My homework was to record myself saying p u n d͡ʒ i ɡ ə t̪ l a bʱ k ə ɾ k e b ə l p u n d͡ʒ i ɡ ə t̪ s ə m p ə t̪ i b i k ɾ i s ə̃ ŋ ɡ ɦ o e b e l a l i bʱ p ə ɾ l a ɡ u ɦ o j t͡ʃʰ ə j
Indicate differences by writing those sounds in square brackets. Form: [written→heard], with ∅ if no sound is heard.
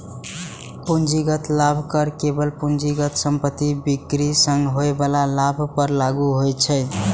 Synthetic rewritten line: p u n d͡ʒ i ɡ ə t̪ l a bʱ k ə ɾ k e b ə l p u n d͡ʒ i ɡ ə t̪ s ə m p ə t̪ i b i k ɾ i s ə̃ ŋ ɡ ɦ o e b [e→a] l a l [i→a] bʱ p ə ɾ l a ɡ u ɦ o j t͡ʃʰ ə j